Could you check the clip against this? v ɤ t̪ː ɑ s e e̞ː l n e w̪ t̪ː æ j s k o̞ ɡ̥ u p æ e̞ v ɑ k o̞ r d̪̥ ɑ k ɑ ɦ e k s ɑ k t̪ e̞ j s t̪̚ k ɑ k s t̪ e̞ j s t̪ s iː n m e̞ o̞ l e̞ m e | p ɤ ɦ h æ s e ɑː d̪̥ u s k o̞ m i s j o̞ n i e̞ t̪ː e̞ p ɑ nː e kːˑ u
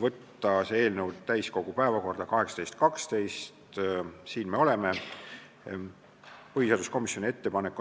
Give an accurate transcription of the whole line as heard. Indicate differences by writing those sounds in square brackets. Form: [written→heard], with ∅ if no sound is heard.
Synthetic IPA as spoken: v ɤ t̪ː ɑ s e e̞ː l n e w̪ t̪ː æ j s k o̞ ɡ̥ u p æ e̞ v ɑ k o̞ r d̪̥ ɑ k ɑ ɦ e k s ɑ [k→∅] t̪ e̞ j s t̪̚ k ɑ k s t̪ e̞ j s t̪ s iː n m e̞ o̞ l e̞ m e | p ɤ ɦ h [æ→i] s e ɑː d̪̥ u s k o̞ m i s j o̞ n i e̞ t̪ː e̞ p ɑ [nː→n] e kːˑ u